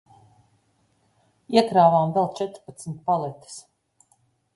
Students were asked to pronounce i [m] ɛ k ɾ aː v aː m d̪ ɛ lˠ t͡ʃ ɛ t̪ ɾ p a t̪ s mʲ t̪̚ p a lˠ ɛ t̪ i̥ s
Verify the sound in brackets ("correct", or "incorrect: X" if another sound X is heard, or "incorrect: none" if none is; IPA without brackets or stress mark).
incorrect: none